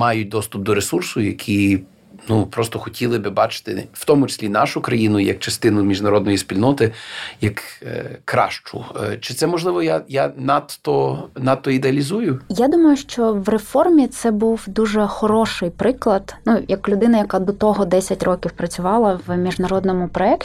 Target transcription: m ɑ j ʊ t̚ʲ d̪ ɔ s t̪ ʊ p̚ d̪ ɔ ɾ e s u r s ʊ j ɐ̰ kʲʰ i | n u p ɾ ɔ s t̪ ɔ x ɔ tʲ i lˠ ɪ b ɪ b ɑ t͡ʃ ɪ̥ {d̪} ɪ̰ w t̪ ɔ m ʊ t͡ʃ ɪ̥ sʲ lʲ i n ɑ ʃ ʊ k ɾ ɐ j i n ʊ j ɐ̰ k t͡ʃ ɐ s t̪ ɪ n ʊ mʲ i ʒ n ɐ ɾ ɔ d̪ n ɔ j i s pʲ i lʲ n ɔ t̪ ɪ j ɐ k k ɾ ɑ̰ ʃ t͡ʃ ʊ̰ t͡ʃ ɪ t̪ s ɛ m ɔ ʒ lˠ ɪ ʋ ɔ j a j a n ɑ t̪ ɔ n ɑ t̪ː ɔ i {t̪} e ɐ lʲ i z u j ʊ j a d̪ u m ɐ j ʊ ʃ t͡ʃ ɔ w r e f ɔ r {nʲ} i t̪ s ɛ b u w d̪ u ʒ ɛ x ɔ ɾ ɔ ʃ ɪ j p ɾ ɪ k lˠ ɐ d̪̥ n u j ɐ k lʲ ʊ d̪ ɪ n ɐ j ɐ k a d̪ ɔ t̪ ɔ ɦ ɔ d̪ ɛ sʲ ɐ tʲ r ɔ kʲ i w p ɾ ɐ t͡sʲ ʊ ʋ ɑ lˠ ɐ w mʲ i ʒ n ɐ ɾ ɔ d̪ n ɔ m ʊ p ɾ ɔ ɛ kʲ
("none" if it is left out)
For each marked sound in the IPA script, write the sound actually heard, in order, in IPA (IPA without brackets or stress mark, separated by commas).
t̪, d̪, mʲ